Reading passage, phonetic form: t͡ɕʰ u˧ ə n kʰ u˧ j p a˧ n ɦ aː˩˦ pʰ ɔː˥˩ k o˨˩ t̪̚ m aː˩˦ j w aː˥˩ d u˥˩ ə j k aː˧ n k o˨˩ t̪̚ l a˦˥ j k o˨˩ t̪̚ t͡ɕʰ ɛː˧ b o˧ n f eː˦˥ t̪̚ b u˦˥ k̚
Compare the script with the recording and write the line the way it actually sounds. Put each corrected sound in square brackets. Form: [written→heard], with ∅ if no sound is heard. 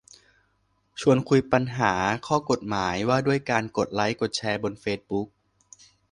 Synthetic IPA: t͡ɕʰ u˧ ə n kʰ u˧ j p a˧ n ɦ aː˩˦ [pʰ→kʰ] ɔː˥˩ k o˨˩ t̪̚ m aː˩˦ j w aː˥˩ d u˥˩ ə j k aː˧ n k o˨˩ t̪̚ l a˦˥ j k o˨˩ t̪̚ t͡ɕʰ ɛː˧ b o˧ n f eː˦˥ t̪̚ b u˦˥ k̚